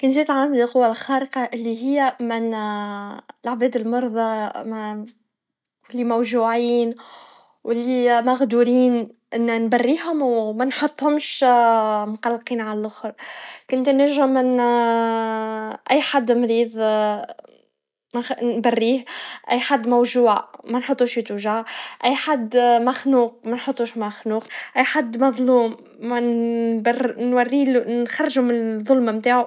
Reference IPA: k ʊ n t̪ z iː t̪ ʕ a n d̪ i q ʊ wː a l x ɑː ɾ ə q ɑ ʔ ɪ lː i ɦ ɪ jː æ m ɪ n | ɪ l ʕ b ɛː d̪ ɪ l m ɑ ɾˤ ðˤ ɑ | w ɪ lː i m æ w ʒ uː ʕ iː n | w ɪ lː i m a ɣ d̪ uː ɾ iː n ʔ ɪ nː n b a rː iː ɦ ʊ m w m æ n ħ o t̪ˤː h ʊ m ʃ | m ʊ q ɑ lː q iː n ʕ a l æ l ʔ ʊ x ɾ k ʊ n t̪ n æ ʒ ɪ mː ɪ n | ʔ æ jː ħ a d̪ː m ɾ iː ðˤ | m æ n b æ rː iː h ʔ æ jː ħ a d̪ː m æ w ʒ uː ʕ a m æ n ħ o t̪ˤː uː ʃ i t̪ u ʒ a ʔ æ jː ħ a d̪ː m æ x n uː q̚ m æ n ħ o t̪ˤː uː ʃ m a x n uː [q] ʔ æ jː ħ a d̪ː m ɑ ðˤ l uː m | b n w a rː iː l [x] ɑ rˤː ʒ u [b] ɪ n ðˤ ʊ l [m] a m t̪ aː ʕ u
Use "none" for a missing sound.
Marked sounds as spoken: q, x, m, m

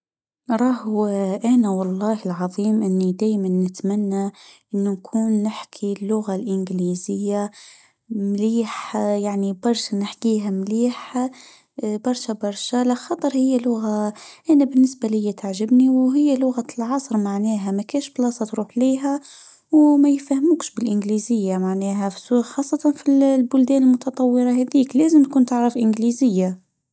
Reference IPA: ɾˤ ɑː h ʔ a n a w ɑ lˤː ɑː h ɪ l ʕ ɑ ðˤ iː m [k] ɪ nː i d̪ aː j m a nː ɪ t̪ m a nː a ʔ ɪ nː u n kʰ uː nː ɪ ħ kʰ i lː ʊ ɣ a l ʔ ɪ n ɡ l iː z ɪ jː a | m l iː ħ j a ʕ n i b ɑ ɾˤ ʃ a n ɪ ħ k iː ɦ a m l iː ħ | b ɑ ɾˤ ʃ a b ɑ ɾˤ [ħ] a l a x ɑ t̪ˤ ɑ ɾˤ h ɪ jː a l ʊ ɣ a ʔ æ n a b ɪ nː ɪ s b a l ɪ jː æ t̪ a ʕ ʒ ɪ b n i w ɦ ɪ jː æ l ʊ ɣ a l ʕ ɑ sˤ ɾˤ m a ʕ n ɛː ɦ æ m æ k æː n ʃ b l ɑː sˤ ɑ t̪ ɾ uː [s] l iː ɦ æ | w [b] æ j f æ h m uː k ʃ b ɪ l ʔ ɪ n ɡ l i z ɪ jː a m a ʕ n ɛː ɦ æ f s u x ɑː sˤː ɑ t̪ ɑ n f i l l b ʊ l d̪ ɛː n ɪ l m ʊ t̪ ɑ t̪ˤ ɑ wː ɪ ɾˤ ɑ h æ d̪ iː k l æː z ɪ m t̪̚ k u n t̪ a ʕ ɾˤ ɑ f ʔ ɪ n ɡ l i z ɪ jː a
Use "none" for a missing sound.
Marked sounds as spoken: ʔ, ʃ, ħ, m

